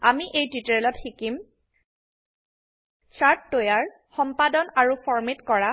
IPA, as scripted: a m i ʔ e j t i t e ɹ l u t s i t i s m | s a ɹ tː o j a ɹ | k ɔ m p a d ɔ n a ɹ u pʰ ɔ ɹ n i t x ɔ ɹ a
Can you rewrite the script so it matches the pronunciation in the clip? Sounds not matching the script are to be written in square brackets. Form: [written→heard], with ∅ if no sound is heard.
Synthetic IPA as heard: a m i ʔ e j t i t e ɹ l [u→ɔ] t [s→x] i [t→k] i [s→∅] m | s a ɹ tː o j a ɹ | [k→x] ɔ m p a d ɔ n a ɹ u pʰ ɔ ɹ [n→m] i t [x→k] ɔ ɹ a